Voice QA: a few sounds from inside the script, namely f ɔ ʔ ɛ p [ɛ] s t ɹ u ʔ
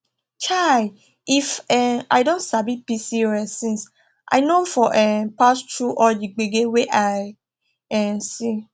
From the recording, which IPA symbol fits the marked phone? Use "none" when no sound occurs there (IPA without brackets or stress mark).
a